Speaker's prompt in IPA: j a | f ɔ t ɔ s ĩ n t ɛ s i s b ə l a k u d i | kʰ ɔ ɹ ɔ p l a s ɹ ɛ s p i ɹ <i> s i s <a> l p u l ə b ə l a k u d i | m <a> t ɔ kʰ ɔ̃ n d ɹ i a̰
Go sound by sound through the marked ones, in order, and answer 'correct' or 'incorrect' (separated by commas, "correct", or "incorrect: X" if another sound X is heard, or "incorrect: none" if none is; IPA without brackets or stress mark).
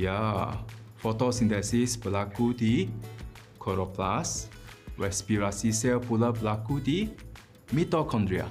incorrect: a, incorrect: ɛ, incorrect: i